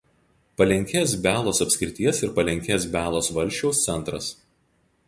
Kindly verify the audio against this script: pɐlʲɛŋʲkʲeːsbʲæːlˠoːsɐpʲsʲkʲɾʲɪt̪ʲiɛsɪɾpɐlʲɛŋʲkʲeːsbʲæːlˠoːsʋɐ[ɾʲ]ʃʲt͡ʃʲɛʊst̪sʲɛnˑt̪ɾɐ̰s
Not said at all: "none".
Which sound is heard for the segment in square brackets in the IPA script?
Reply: lʲ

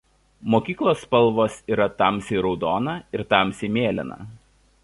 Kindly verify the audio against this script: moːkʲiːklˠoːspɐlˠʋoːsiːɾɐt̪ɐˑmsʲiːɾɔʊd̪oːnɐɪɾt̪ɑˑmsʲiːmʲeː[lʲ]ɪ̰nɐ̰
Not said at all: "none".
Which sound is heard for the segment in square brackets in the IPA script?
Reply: lʲ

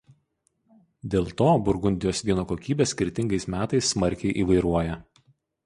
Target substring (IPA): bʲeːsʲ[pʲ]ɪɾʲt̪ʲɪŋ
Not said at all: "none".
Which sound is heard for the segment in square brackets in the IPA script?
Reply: kʲ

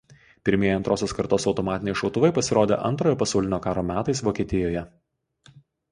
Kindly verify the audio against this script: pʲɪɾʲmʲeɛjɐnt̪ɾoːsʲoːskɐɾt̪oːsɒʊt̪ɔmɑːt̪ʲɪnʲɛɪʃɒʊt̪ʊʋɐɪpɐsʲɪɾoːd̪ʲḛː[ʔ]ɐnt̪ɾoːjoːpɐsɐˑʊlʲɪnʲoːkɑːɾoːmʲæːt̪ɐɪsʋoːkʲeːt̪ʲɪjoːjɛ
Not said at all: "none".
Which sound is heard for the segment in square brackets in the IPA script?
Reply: ʔ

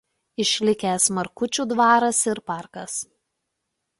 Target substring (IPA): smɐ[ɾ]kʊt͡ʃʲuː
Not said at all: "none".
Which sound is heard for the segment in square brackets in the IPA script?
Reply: ɾ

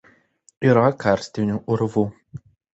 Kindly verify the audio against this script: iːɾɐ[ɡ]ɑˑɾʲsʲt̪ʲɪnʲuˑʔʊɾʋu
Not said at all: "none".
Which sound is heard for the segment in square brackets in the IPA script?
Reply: k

